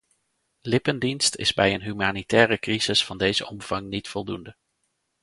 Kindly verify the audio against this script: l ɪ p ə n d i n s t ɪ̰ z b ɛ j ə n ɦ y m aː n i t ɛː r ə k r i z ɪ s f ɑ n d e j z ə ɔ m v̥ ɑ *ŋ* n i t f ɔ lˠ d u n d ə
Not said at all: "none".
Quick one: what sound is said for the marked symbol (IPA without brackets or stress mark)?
ŋ